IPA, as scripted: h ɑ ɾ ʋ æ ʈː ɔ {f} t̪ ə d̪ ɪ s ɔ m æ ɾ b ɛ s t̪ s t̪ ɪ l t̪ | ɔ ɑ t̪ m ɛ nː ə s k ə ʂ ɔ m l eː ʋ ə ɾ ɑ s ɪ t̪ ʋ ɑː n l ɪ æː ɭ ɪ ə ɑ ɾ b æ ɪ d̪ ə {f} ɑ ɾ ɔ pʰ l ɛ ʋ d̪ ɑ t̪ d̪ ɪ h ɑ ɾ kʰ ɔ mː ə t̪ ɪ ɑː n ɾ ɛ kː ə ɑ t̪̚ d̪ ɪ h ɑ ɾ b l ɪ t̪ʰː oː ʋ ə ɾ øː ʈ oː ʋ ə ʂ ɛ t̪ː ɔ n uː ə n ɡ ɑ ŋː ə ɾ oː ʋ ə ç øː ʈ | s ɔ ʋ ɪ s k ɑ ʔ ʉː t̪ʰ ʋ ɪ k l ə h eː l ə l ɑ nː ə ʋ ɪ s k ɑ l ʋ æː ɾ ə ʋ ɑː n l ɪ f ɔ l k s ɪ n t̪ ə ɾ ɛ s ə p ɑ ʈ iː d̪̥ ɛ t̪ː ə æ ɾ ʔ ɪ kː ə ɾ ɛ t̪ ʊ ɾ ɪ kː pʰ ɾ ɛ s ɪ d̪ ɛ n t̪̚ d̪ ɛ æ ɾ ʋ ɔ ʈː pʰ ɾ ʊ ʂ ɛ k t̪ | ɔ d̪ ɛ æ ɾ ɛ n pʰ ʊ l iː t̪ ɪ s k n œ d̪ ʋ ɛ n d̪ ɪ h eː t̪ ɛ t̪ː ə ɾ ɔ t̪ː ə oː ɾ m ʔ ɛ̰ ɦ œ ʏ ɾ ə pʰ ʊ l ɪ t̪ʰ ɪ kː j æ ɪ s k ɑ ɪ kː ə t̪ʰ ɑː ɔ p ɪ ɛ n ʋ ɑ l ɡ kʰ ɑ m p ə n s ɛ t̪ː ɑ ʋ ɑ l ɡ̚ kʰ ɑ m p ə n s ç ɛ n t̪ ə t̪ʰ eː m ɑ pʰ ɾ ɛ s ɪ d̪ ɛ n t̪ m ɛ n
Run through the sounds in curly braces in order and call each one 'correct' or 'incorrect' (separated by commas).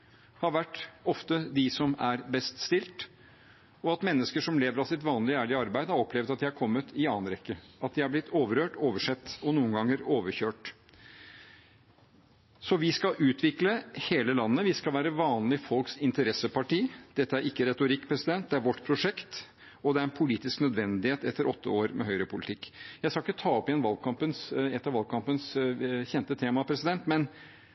correct, incorrect